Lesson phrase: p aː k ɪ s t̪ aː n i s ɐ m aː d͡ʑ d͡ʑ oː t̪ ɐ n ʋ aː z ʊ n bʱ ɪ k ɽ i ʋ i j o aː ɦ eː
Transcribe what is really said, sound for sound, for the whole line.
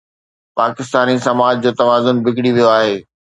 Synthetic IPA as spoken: p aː k ɪ s t̪ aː n i s ɐ m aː d͡ʑ d͡ʑ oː t̪ ɐ ʋ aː z ʊ n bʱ ɪ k ɽ i ʋ i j o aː ɦ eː

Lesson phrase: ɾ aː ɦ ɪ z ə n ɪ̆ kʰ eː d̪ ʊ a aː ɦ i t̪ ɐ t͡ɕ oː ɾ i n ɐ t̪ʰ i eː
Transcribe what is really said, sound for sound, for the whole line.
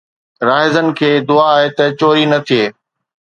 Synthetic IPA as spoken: ɾ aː ɦ ɪ z ə n ɪ̆ kʰ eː d̪ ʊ a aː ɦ e t̪ ɐ t͡ɕ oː ɾ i n ɐ t̪ʰ i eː

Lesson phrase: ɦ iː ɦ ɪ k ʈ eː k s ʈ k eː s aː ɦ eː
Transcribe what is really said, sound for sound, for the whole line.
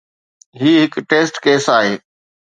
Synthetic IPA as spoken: ɦ iː ɦ ɪ k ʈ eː s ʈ k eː s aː ɦ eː

